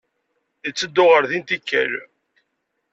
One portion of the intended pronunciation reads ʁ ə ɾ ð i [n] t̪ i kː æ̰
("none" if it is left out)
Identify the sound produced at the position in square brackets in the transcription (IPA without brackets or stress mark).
n